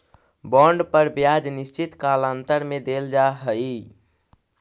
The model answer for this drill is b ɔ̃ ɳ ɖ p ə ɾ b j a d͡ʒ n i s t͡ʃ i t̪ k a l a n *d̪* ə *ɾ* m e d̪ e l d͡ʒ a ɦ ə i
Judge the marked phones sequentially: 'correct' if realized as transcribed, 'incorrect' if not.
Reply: incorrect, correct

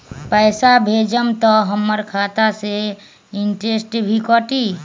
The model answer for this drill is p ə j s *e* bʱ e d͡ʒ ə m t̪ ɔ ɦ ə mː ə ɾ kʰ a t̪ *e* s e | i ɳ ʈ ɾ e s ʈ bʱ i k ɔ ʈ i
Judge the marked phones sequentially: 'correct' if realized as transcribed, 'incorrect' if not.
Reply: incorrect, incorrect

